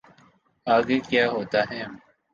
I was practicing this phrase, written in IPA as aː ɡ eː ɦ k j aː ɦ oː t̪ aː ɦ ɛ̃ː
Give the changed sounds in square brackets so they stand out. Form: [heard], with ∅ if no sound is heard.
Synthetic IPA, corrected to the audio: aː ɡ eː [∅] k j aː ɦ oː t̪ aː ɦ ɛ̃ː